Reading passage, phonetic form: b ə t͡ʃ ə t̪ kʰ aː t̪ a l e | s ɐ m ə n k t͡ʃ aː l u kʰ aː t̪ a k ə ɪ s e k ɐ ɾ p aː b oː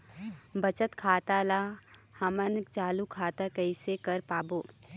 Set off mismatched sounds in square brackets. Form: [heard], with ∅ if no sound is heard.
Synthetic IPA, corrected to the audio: b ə t͡ʃ ə t̪ kʰ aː t̪ a l [a] | [h] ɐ m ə n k t͡ʃ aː l u kʰ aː t̪ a k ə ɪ s e k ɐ ɾ p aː b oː